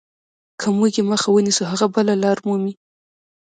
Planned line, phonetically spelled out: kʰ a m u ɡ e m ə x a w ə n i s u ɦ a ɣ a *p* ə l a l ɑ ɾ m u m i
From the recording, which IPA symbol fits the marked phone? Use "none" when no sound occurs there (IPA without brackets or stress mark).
b